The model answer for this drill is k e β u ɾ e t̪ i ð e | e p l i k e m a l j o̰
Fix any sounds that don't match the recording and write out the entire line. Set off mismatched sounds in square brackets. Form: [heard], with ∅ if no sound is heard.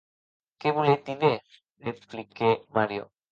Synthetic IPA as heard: k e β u [l] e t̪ i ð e | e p l i k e m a [ɾ] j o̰